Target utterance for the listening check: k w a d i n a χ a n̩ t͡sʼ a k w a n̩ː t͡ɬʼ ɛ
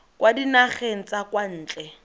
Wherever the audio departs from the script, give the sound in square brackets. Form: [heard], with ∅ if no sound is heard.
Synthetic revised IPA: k w a d i n a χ [e] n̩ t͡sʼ a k w a n̩ː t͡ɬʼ ɛ